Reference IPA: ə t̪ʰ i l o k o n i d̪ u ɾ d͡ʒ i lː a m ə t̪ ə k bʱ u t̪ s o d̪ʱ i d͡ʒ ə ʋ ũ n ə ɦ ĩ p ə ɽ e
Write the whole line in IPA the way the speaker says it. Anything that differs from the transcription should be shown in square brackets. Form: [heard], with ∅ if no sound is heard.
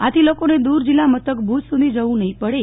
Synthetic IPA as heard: [a] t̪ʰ i l o k o n [e] d̪ u ɾ d͡ʒ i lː a m ə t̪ ə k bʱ u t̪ s [u] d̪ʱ i d͡ʒ ə ʋ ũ n ə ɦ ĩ p ə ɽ e